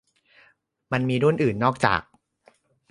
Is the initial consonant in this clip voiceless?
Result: no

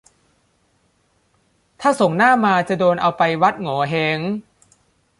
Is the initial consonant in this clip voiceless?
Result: yes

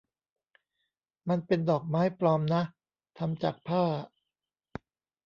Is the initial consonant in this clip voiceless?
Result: no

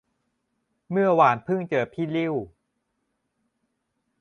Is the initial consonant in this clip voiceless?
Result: no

